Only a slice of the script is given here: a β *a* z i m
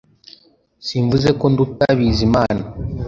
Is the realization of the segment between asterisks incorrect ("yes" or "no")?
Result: yes